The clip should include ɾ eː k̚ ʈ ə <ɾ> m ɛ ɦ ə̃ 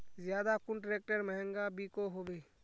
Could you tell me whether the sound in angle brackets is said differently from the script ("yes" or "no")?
no